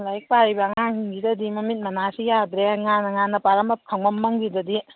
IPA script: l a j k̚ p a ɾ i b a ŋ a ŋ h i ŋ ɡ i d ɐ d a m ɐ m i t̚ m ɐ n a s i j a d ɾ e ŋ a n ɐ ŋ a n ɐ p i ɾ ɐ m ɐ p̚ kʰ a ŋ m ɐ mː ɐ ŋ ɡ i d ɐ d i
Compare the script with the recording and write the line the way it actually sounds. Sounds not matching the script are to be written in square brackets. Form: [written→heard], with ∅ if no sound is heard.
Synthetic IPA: l a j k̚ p a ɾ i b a ŋ a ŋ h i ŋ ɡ i d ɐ d [a→i] m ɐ m i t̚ m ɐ n a s i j a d ɾ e ŋ a n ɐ ŋ a n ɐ p [i→a] ɾ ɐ m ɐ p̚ kʰ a ŋ m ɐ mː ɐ ŋ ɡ i d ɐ d i